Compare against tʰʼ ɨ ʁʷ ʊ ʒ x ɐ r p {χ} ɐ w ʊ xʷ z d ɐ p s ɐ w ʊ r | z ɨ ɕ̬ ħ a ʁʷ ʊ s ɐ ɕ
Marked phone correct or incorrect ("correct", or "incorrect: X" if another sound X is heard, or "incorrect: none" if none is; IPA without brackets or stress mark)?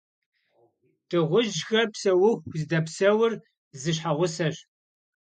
incorrect: s